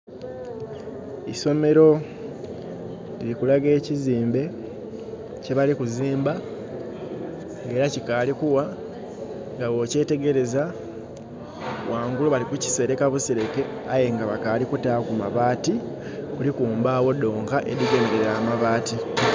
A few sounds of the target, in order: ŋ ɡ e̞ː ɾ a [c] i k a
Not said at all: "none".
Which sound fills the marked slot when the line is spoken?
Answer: c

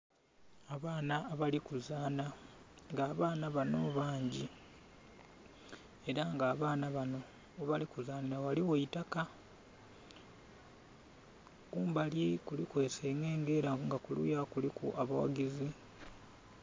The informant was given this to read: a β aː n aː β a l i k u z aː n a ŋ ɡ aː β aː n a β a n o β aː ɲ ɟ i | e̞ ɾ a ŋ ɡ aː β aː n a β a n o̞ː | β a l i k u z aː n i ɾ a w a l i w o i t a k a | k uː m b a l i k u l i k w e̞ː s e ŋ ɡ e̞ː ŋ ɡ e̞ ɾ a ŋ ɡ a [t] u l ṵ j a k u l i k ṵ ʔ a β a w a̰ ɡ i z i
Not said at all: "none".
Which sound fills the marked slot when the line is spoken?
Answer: k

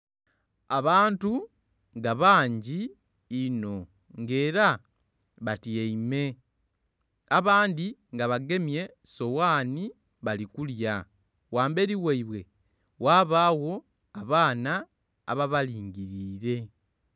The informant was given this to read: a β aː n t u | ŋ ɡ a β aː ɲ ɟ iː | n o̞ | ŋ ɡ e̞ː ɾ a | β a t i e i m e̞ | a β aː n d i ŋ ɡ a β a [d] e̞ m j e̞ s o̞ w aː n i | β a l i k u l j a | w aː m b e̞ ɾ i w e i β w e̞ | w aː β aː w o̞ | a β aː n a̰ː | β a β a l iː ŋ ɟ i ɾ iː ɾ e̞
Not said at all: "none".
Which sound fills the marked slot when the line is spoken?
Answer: ɡ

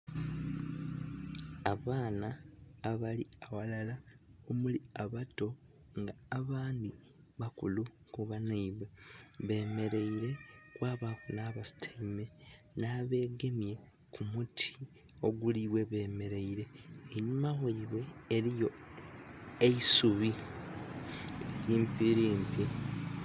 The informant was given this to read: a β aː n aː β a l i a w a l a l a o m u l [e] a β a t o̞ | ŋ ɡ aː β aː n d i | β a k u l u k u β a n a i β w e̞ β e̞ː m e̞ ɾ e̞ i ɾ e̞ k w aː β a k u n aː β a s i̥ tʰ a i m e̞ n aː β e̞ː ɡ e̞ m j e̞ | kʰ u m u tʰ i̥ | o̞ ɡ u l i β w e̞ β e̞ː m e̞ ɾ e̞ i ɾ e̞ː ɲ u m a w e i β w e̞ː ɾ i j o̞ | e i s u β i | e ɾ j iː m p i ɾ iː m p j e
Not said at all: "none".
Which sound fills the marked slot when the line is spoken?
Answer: i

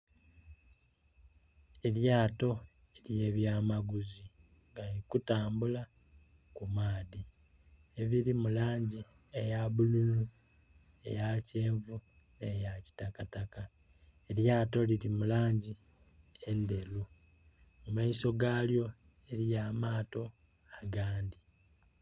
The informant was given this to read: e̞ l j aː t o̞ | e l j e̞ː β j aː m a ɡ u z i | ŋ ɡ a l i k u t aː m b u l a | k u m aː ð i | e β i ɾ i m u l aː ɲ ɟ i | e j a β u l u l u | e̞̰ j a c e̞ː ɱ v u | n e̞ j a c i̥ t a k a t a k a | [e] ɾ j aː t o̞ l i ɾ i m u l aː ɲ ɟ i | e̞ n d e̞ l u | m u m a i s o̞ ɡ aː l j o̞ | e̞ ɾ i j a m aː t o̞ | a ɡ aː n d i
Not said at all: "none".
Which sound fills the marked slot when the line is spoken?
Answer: e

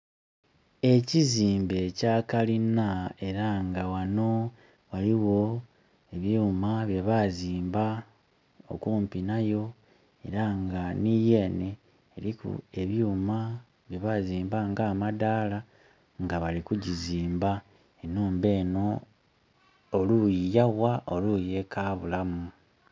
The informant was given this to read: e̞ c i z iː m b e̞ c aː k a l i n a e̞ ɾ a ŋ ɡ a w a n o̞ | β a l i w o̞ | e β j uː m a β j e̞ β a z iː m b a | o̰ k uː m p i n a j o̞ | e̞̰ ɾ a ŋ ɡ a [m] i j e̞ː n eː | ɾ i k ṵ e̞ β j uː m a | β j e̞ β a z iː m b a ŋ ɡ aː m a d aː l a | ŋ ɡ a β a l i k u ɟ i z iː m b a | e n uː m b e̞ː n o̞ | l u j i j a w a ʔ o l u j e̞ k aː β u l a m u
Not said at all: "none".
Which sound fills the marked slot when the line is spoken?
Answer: n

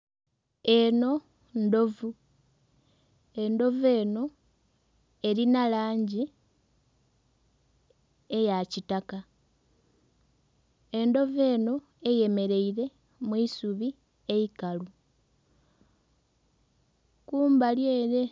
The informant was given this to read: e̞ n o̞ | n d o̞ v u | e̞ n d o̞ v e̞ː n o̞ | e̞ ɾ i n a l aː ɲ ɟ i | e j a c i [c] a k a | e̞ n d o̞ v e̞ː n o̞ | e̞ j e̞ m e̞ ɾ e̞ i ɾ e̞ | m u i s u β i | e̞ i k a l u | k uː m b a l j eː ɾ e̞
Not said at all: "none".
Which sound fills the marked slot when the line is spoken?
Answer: t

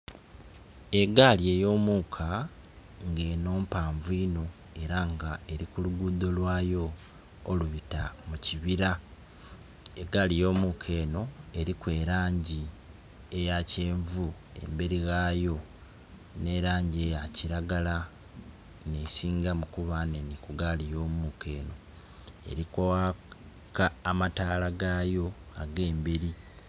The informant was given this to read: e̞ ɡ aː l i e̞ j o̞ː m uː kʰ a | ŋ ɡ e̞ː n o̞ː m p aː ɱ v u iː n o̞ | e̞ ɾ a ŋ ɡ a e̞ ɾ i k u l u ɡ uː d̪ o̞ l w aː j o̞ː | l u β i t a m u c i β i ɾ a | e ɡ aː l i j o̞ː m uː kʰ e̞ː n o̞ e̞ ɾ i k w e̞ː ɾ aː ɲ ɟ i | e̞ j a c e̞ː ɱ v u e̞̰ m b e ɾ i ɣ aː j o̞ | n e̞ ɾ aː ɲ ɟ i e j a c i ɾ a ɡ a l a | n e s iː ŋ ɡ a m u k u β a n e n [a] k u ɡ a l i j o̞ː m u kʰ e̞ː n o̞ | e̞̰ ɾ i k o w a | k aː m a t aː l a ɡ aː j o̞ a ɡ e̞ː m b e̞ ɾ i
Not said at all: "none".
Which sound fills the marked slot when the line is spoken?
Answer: i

